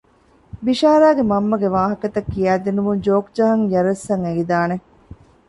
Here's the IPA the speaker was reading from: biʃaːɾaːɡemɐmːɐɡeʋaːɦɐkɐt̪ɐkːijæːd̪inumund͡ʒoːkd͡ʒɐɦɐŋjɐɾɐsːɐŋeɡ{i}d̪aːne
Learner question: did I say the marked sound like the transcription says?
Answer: yes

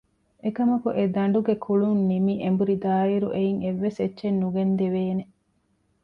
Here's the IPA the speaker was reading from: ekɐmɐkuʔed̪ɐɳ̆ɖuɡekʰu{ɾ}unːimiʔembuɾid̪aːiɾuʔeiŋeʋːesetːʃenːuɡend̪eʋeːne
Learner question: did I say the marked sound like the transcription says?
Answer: no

